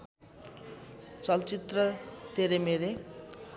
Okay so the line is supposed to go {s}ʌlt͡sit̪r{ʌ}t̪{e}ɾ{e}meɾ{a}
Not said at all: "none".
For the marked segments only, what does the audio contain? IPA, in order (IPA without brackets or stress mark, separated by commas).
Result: t͡s, ʌ, e, e, e